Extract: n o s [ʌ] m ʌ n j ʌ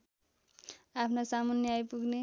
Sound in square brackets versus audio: incorrect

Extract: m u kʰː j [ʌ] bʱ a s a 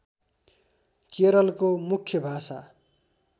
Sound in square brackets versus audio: correct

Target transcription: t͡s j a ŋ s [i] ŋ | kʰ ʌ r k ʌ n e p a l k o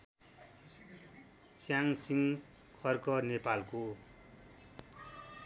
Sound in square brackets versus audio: correct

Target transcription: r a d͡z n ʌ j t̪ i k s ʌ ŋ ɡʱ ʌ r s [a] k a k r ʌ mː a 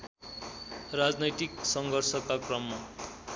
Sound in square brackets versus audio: incorrect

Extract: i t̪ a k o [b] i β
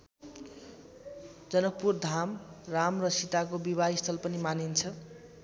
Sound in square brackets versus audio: correct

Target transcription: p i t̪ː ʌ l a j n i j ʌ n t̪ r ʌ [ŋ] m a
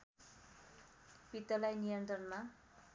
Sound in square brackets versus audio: incorrect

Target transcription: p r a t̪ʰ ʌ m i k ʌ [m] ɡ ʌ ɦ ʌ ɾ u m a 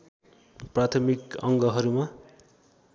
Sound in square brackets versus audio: incorrect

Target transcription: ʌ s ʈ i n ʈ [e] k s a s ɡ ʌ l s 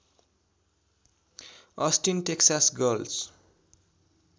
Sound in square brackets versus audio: correct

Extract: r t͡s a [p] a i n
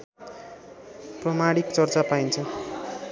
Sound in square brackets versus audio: correct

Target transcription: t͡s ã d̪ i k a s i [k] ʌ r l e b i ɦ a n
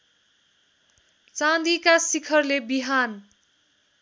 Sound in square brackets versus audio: incorrect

